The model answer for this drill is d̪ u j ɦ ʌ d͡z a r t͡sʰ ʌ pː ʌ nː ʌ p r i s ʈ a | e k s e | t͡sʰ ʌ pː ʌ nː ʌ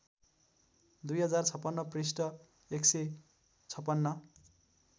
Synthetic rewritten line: d̪ u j ɦ ʌ d͡z a r t͡sʰ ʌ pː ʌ nː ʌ p r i s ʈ ʌ | e k s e | t͡sʰ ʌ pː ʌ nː ʌ